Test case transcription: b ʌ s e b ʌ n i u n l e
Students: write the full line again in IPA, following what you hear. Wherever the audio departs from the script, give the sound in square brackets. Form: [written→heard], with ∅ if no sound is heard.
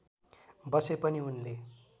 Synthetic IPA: b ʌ s e [b→p] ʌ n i u n l e